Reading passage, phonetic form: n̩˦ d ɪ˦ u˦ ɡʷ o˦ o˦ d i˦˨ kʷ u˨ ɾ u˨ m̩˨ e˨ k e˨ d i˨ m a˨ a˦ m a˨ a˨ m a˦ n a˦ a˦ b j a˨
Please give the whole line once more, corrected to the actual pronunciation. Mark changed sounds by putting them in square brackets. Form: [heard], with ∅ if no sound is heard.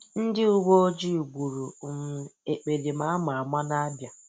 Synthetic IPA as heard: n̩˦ d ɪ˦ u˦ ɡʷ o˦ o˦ [d͡ʒ] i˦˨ [ɡʷ] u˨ ɾ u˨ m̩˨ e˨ [k͡p] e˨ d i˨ m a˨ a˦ m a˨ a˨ m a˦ n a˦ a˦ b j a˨